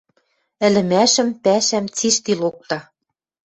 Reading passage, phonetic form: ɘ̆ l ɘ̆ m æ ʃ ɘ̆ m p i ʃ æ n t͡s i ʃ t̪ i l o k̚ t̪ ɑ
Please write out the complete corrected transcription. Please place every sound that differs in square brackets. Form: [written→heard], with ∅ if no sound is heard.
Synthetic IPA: ɘ̆ l ɘ̆ m æ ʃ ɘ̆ m p [i→æ] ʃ æ [n→m] t͡s i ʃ t̪ i l o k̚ t̪ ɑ